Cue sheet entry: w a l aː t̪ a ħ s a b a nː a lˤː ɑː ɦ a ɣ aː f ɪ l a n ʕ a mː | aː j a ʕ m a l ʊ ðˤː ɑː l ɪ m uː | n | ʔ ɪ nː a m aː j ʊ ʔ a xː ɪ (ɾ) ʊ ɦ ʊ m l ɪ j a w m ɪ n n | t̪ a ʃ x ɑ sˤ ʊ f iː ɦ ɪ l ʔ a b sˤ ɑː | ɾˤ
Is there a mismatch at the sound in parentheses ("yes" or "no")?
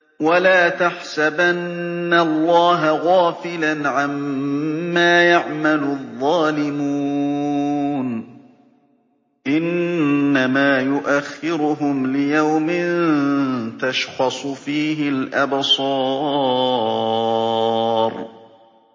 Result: no